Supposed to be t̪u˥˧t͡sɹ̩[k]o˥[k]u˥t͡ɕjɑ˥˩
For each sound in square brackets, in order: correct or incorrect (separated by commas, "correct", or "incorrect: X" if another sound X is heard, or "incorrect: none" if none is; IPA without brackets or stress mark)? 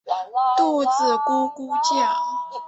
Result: correct, correct